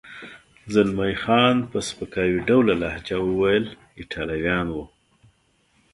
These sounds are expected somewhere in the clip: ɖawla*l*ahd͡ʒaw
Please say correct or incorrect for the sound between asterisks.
correct